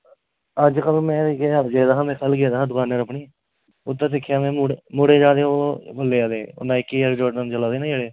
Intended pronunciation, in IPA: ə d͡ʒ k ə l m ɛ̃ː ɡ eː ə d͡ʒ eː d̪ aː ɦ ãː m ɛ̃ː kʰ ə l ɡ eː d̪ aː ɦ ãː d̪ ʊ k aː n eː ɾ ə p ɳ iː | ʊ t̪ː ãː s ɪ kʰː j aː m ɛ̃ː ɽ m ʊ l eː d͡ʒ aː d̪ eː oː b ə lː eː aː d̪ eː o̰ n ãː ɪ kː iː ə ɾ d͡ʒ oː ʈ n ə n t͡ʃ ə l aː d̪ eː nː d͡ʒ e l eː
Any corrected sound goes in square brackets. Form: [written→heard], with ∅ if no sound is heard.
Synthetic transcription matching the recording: ə d͡ʒ k ə l m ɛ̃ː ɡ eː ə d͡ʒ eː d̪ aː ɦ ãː m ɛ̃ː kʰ ə l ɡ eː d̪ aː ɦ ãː d̪ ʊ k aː n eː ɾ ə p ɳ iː | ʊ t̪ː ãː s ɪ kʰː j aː m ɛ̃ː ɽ m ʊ [l→ɽ] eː d͡ʒ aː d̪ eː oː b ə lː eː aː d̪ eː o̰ n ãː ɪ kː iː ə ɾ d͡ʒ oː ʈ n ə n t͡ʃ ə l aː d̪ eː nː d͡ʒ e [l→ɽ] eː